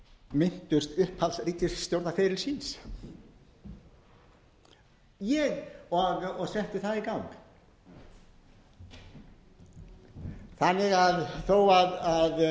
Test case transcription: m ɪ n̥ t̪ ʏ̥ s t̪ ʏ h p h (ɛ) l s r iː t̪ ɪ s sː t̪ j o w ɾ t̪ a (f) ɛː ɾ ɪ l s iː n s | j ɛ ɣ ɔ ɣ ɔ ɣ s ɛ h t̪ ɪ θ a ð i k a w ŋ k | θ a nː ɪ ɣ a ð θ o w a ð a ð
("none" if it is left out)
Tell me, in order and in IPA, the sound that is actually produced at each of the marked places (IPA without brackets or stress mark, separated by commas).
a, f